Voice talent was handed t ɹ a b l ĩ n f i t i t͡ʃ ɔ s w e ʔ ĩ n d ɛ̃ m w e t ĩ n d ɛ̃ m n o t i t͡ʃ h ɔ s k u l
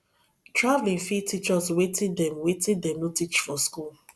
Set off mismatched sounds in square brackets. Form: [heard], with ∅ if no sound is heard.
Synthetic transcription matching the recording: t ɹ a [v] l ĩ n f i t i t͡ʃ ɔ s w e [t] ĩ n d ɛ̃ m w e t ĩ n d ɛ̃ m n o t i t͡ʃ [f] ɔ s k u l

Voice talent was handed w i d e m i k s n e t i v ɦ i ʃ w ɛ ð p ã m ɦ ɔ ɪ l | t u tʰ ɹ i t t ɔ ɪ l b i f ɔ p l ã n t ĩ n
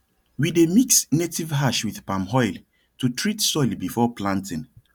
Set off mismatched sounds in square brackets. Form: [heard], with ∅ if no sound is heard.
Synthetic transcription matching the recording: w i d e m i k s n e t i v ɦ [a] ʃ w [i] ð p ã m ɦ ɔ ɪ l | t u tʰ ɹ i t [s] ɔ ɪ l b i f ɔ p l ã n t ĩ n

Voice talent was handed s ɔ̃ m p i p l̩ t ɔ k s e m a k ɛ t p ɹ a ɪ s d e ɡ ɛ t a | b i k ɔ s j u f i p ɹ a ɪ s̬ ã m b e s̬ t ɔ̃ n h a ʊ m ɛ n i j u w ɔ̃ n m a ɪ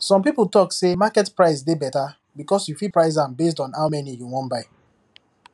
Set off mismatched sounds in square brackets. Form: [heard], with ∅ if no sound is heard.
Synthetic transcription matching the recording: s ɔ̃ m p i p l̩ t ɔ k s e m a k ɛ t p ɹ a ɪ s d e [b] ɛ t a | b i k ɔ s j u f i p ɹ a ɪ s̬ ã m b e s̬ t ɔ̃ n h a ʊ m ɛ n i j u w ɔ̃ n [b] a ɪ

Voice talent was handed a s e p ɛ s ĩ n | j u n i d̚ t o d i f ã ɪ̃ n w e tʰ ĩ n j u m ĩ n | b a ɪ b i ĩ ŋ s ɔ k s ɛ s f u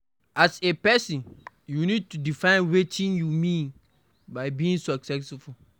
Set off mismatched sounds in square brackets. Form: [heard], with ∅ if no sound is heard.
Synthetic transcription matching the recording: a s e p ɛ s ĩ n | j u n i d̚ t [u] d i f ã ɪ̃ n w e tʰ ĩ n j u m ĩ n | b a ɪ b i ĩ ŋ s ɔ k s ɛ s f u

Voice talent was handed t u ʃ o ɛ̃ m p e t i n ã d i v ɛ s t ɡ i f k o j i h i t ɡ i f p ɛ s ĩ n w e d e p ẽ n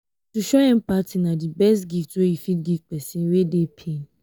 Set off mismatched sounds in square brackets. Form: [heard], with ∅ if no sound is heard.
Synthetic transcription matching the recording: t u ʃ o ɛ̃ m p [a] t i n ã d i [b] ɛ s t ɡ i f [t] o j i [f] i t ɡ i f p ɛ s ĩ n w e d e [pʰ] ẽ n

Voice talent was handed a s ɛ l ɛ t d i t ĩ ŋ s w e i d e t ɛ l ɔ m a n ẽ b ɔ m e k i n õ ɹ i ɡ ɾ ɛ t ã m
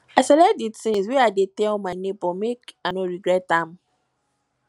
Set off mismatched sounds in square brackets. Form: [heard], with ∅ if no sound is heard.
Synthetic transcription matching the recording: a s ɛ l ɛ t d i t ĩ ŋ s w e [a] d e t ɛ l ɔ m a n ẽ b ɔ m e k [a] n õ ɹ i ɡ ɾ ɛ t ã m

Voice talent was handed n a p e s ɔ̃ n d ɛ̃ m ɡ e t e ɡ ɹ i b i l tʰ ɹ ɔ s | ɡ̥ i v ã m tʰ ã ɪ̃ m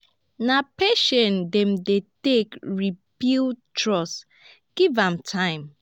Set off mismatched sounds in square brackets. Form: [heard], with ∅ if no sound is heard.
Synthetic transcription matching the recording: n a p e [ʃ] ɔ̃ n d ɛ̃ m [d] e t e [k] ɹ i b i l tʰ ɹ ɔ s | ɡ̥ i v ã m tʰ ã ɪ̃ m

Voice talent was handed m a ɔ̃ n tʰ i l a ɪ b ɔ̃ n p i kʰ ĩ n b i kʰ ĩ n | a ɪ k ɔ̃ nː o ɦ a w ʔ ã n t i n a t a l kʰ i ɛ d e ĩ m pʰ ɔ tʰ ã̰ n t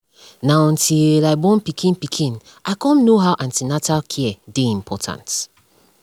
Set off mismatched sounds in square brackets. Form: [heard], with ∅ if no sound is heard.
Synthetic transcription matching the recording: [n] a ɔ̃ n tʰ i l a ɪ b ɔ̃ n p i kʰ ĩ n [p] i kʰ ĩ n | a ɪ k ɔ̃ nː o ɦ a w ʔ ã n t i n a t a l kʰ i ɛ d e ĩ m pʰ ɔ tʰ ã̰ n t

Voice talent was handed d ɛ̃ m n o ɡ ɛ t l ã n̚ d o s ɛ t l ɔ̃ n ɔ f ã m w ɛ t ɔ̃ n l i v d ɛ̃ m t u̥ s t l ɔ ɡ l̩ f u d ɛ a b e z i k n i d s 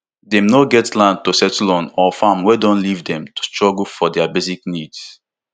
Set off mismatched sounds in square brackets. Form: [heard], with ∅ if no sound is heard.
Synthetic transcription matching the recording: d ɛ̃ m n o ɡ ɛ t l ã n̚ [t] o s ɛ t l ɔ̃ n ɔ f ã m w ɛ [d] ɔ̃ n l i v d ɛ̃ m t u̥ s t [ɹ] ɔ ɡ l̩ f [ɔ] d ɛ a b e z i k n i d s

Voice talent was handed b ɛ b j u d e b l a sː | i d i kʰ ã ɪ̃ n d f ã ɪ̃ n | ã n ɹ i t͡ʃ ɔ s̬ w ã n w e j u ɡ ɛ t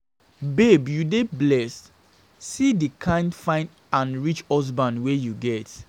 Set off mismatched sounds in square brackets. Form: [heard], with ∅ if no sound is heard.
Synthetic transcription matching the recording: b [e] b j u d e b l [ɛ] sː | i d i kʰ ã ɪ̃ n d f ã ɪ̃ n | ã n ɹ i t͡ʃ ɔ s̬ [b] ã n w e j u ɡ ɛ t

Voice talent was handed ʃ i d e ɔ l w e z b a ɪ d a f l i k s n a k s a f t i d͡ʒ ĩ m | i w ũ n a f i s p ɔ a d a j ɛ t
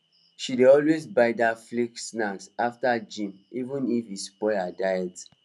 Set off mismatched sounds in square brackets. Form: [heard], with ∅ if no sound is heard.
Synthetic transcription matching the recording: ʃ i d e ɔ l w e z b a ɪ d a f l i k s n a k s a f t [a] d͡ʒ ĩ m | i [v] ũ n [i] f i s p ɔ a d a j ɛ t

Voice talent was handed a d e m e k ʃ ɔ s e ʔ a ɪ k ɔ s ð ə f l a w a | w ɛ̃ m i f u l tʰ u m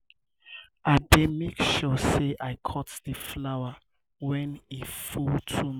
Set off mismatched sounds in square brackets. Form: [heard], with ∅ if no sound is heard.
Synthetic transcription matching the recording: a d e m e k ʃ ɔ s e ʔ a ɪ [kʰ] ɔ [t] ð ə f l a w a | w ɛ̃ [n] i f u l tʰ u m

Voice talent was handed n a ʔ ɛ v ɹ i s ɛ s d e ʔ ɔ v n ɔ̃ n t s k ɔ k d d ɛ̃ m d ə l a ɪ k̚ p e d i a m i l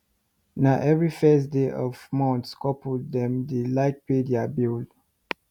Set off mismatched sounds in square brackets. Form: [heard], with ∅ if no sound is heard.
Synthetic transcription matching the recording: n a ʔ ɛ v ɹ i [f] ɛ s d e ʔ ɔ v [m] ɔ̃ n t s k ɔ [p] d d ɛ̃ m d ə l a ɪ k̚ p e d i a [b] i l

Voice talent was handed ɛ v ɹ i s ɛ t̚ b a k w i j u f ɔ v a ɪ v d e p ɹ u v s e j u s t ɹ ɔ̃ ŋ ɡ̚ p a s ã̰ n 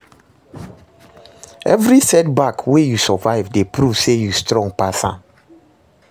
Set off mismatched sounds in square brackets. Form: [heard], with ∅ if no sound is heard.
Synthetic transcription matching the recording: ɛ v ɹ i s ɛ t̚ b a k w [e] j u [s] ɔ v a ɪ v d e p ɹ u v s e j u s t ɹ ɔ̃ ŋ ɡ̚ p a s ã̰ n

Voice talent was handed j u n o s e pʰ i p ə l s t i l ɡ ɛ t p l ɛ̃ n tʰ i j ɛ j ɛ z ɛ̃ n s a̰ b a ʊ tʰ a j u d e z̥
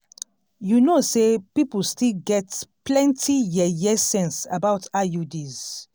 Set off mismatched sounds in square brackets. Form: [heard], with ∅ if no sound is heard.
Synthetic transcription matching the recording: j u n o s e [p] i p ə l s t i l ɡ ɛ t p l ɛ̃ n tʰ i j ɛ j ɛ [s] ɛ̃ n s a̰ b a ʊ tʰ a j u d [i] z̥

